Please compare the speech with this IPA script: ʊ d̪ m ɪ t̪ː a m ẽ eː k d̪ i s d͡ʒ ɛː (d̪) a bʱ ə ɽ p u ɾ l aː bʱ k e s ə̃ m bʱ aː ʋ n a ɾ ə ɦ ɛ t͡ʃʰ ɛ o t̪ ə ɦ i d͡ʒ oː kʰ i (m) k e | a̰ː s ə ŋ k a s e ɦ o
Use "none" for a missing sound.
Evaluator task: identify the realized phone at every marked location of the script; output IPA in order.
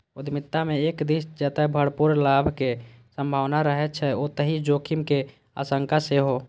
t̪, m

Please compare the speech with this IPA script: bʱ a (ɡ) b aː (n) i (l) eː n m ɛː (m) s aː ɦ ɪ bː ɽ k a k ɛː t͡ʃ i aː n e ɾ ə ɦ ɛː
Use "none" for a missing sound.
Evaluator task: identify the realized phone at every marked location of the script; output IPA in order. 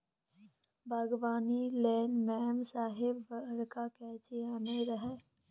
ɡ, n, l, m

